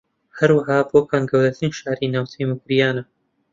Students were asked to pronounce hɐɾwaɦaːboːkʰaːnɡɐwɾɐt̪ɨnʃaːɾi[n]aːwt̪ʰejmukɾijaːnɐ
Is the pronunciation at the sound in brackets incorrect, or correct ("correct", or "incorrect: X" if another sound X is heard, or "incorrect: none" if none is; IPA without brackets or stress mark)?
correct